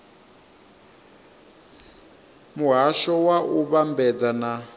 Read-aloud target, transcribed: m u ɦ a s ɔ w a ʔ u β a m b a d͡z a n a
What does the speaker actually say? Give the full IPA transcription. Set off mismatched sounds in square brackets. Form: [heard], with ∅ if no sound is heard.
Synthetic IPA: m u ɦ a [ʃ] ɔ w a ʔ u β a m b [ɛ] d͡z a n a